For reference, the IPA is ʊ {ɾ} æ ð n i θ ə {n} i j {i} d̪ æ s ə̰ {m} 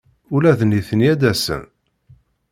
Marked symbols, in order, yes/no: no, yes, no, no

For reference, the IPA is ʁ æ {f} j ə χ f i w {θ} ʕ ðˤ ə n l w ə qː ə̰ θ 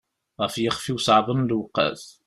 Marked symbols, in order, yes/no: yes, no

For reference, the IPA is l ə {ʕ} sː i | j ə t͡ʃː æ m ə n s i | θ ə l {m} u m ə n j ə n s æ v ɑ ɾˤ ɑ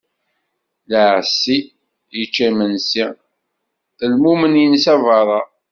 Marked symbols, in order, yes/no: yes, yes

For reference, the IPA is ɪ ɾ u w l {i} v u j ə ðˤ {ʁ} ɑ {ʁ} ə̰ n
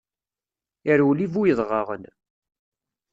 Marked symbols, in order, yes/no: yes, yes, yes

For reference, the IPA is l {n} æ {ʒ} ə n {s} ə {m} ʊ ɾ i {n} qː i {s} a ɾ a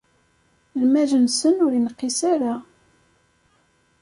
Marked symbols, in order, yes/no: no, yes, yes, no, yes, yes

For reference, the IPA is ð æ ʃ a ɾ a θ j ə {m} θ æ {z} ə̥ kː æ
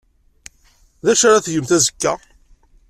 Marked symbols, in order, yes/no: yes, yes

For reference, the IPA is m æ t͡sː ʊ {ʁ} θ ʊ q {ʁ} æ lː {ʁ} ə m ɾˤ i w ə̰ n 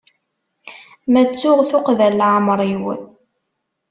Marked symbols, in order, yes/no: yes, no, no

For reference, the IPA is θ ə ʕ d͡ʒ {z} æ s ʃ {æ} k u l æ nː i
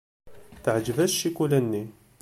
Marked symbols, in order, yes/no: no, no

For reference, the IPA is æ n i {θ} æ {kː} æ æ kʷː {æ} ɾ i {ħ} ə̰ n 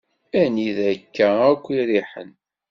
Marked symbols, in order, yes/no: no, yes, no, yes

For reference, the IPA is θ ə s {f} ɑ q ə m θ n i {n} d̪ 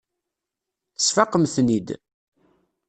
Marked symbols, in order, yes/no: yes, no

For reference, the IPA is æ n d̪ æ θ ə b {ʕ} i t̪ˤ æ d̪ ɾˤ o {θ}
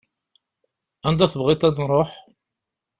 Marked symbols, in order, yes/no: no, no

